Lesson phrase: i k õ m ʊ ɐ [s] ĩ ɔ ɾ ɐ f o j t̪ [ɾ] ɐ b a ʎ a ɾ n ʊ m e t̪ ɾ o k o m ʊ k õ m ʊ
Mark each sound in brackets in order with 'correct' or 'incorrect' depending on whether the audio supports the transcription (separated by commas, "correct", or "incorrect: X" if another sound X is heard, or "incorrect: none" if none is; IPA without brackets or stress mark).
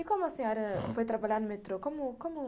correct, correct